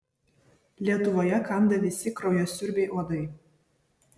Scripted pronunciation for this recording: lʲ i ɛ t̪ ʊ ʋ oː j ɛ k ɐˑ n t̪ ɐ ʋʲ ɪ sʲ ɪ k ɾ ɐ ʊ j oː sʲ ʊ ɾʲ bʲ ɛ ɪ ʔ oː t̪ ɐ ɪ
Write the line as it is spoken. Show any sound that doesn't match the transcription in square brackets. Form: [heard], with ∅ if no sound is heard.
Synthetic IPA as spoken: lʲ i ɛ t̪ ʊ ʋ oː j ɛ k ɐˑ n [d̪] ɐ ʋʲ ɪ sʲ ɪ k ɾ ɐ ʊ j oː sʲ ʊ ɾʲ bʲ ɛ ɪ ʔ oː [d̪] ɐ ɪ

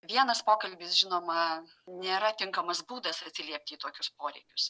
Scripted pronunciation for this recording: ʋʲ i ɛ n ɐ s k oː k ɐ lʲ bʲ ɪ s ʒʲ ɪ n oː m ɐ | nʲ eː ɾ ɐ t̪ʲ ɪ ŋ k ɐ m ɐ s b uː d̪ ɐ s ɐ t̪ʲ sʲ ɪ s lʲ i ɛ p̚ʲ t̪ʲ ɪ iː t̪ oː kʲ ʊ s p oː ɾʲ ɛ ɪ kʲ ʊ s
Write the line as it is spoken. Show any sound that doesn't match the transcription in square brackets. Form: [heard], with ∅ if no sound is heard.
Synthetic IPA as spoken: ʋʲ i ɛ n ɐ s [p] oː k ɐ lʲ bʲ ɪ s ʒʲ ɪ n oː m ɐ | nʲ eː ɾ ɐ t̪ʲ ɪ ŋ k ɐ m ɐ s b uː d̪ ɐ s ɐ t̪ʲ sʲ ɪ [∅] lʲ i ɛ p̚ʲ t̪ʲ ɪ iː t̪ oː kʲ ʊ s p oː ɾʲ ɛ ɪ kʲ ʊ s

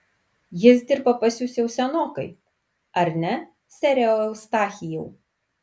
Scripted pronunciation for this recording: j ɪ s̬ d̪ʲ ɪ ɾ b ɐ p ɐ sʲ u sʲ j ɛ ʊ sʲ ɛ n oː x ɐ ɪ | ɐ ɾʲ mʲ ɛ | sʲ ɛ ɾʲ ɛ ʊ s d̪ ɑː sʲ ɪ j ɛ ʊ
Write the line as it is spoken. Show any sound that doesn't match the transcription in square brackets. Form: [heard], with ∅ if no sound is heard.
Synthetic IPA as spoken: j ɪ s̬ d̪ʲ ɪ ɾ b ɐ p ɐ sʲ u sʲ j ɛ ʊ sʲ ɛ n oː [k] ɐ ɪ | ɐ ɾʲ [nʲ] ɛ | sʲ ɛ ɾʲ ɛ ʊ s [t̪] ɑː [xʲ] ɪ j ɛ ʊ

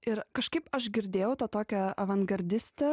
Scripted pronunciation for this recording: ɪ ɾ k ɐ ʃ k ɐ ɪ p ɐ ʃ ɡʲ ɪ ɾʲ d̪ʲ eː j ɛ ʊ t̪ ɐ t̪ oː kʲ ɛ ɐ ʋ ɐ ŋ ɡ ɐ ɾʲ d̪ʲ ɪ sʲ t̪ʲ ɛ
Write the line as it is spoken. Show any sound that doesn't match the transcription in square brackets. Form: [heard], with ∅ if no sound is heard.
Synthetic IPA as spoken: ɪ ɾ k ɐ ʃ k ɐ ɪ p ɐ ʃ ɡʲ ɪ ɾʲ d̪ʲ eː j ɛ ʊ t̪ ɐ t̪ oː kʲ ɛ ɐ ʋ ɐ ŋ ɡ ɐ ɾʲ d̪ʲ ɪ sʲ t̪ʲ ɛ

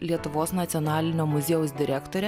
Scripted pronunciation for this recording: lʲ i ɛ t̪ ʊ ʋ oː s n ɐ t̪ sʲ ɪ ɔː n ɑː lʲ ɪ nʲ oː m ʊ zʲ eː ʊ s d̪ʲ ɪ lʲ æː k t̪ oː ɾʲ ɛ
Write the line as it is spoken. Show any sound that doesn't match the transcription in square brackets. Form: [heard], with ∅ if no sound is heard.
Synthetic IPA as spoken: lʲ i ɛ t̪ ʊ ʋ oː s n ɐ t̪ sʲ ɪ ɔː n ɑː lʲ ɪ nʲ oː m ʊ zʲ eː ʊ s d̪ʲ ɪ [ɾʲ] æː k t̪ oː ɾʲ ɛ

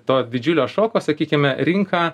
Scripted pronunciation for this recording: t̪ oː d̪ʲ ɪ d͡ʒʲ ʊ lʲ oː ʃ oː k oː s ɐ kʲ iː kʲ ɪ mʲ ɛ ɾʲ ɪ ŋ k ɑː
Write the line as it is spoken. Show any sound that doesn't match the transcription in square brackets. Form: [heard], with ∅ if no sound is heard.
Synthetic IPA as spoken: t̪ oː d̪ʲ ɪ d͡ʒʲ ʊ lʲ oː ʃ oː k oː s ɐ kʲ iː kʲ ɪ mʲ ɛ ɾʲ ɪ ŋ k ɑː

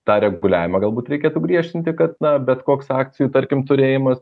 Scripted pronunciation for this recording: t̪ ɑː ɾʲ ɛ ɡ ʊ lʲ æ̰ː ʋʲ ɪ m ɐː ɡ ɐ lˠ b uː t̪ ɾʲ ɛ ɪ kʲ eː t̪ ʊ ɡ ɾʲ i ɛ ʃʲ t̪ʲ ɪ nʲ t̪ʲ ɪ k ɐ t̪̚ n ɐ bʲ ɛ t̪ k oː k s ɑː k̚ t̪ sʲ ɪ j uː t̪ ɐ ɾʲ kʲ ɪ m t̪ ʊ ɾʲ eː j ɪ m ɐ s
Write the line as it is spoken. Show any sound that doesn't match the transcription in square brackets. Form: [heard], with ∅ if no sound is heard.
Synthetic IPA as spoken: t̪ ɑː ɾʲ ɛ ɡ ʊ lʲ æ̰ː ʋʲ ɪ m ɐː ɡ ɐ lˠ b uː t̪ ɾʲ ɛ ɪ kʲ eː t̪ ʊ ɡ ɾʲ i ɛ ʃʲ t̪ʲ ɪ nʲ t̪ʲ ɪ k ɐ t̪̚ n ɐ bʲ ɛ t̪ k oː k s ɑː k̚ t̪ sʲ ɪ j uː t̪ ɐ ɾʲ kʲ ɪ m t̪ ʊ ɾʲ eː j ɪ m ɐ s

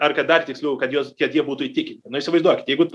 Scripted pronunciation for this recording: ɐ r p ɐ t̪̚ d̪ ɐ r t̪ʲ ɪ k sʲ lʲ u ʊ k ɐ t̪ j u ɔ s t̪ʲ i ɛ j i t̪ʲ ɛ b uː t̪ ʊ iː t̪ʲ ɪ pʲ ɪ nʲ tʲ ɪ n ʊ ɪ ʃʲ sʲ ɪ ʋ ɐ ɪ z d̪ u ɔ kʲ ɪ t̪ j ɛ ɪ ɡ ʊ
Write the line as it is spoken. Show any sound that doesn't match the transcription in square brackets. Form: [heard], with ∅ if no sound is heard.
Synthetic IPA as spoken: ɐ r [k] ɐ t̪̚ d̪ ɐ r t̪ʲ ɪ k sʲ lʲ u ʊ k ɐ t̪ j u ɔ s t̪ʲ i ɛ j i [∅] ɛ b uː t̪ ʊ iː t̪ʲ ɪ [kʲ] ɪ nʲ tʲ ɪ n ʊ ɪ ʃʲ sʲ ɪ ʋ ɐ ɪ z d̪ u ɔ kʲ ɪ t̪ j ɛ ɪ ɡ ʊ

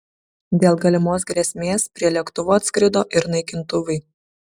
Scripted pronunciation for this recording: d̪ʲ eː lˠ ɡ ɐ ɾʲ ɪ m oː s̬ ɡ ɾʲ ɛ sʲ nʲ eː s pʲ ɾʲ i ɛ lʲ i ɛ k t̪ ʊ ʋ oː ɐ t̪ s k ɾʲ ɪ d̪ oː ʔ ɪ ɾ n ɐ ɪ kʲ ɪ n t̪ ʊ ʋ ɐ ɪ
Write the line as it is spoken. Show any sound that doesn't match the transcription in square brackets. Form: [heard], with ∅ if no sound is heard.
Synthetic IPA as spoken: d̪ʲ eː lˠ ɡ ɐ [lʲ] ɪ m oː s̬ ɡ ɾʲ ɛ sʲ [mʲ] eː s pʲ ɾʲ i ɛ lʲ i ɛ k t̪ ʊ ʋ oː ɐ t̪ s k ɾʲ ɪ d̪ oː ʔ ɪ ɾ n ɐ ɪ kʲ ɪ n t̪ ʊ ʋ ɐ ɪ

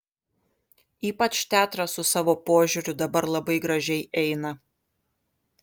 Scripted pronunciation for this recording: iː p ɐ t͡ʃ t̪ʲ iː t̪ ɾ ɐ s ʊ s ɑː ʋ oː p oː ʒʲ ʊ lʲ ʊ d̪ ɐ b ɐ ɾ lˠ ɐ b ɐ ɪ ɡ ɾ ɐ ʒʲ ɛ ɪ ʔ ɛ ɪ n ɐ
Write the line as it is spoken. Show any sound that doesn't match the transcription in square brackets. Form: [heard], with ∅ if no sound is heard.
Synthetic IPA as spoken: iː p ɐ t͡ʃ t̪ʲ [æː] t̪ ɾ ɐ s ʊ s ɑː ʋ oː p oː ʒʲ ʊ [ɾʲ] ʊ d̪ ɐ b ɐ ɾ lˠ ɐ b ɐ ɪ ɡ ɾ ɐ ʒʲ ɛ ɪ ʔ ɛ ɪ n ɐ

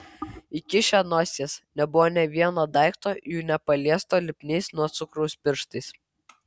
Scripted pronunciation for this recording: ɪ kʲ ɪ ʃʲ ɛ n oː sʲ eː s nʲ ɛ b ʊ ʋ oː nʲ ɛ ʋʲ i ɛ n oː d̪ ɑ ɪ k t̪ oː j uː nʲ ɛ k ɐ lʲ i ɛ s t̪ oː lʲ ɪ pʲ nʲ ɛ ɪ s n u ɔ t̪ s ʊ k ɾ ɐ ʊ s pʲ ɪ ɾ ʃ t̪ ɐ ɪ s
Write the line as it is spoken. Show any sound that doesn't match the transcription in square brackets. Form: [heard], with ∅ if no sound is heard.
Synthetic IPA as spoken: ɪ kʲ ɪ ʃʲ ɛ n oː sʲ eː s nʲ ɛ b ʊ ʋ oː nʲ ɛ ʋʲ i ɛ n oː d̪ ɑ ɪ k t̪ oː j uː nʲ ɛ [p] ɐ lʲ i ɛ s t̪ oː lʲ ɪ pʲ nʲ ɛ ɪ s n u ɔ t̪ s ʊ k ɾ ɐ ʊ s pʲ ɪ ɾ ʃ t̪ ɐ ɪ s

